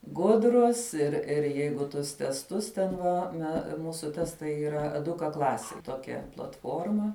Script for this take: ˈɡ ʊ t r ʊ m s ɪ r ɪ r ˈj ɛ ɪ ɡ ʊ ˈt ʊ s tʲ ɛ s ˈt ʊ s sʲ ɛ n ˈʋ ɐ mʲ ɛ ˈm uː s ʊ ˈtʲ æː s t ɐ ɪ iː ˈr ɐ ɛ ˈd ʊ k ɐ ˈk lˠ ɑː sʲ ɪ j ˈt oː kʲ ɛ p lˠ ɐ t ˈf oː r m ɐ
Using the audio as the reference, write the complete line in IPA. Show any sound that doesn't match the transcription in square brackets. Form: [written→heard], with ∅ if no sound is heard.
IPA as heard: ˈɡ ʊ [t→d] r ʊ [m→∅] s ɪ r ɪ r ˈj ɛ ɪ ɡ ʊ ˈt ʊ s tʲ ɛ s ˈt ʊ s [sʲ→tʲ] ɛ n ˈʋ ɐ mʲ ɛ ˈm uː s ʊ ˈtʲ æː s t ɐ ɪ iː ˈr ɐ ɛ ˈd ʊ k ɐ ˈk lˠ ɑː sʲ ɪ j ˈt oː kʲ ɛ p lˠ ɐ t ˈf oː r m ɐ